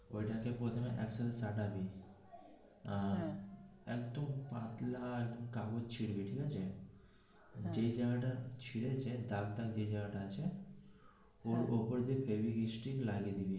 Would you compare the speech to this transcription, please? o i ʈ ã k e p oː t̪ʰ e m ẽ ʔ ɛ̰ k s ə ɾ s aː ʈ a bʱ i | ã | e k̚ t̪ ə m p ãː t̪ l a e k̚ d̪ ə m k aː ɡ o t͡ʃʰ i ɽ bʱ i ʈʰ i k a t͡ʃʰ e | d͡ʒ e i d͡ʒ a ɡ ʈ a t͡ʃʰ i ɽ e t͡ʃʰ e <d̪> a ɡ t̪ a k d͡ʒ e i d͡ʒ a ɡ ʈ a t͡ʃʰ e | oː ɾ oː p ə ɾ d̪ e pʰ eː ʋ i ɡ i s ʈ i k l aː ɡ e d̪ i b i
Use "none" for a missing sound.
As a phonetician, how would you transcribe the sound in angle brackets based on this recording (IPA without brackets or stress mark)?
d̪